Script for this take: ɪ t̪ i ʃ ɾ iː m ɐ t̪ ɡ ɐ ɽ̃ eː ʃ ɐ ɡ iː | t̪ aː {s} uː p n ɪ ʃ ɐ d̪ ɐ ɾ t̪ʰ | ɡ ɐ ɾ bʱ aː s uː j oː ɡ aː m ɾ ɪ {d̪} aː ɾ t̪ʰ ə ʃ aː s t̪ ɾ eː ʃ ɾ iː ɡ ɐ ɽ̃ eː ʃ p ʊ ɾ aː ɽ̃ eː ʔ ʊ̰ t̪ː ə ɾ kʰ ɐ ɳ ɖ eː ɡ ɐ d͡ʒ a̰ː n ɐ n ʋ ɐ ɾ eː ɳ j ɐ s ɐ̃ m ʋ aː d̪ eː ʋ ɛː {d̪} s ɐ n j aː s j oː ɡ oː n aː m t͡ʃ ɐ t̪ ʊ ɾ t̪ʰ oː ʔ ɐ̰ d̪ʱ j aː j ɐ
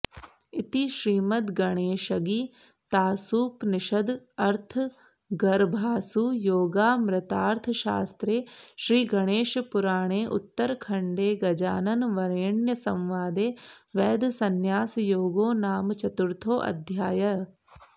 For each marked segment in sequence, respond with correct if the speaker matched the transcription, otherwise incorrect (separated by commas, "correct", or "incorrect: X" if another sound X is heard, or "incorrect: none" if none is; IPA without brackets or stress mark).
correct, incorrect: t̪, correct